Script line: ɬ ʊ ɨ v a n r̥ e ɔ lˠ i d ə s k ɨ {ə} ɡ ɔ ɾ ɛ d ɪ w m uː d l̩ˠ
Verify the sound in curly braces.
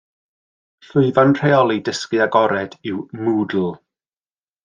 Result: incorrect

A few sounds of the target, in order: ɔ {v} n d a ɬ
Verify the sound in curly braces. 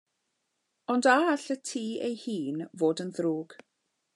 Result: incorrect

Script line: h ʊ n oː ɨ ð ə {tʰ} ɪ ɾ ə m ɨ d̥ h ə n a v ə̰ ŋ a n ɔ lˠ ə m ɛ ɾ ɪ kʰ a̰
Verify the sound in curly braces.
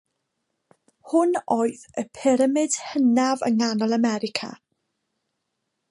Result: incorrect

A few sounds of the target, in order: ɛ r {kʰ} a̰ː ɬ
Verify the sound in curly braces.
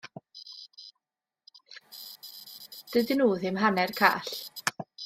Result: correct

